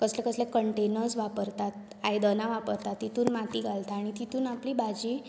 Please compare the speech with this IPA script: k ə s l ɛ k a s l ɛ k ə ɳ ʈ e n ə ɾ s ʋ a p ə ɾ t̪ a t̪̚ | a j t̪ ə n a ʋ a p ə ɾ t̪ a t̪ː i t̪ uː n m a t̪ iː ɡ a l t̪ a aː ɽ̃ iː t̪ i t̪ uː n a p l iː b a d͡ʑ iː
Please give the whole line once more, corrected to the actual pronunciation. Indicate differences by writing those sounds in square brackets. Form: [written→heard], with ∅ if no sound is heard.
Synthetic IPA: k ə s l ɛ k [a→ə] s l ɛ k ə ɳ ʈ e n ə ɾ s ʋ a p ə ɾ t̪ a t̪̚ | a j [t̪→d̪] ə n a ʋ a p ə ɾ t̪ a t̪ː i t̪ uː n m a t̪ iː ɡ a l t̪ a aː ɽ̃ [iː→i] t̪ i t̪ uː n a p l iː b a d͡ʑ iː